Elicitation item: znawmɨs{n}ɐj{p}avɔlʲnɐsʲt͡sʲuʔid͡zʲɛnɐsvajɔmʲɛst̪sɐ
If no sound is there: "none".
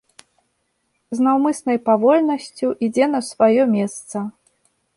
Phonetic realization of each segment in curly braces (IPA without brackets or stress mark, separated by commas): n, p